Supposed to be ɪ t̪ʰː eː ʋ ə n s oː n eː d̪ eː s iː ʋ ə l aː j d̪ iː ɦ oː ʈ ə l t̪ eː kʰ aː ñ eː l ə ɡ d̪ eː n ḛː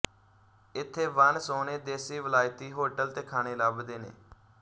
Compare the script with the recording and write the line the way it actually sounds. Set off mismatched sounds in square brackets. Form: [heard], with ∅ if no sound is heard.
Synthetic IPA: ɪ t̪ʰː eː ʋ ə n s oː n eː d̪ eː s iː ʋ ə l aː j [t̪] iː ɦ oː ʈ ə l t̪ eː kʰ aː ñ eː l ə [b] d̪ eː n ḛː